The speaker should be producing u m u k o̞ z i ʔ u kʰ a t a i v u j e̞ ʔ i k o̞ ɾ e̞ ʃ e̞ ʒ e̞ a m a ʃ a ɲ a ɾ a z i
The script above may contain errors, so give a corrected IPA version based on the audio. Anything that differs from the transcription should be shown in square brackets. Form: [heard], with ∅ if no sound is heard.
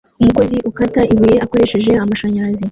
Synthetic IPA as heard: u m u k o̞ z i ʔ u [k] a t a i [β] u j e̞ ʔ [a] k o̞ ɾ e̞ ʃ e̞ ʒ e̞ a m a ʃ a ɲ a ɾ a z i